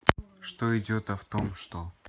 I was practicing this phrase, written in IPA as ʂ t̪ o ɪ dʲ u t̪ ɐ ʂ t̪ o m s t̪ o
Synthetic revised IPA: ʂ t̪ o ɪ dʲ o t̪ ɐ f t̪ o m ʂ t̪ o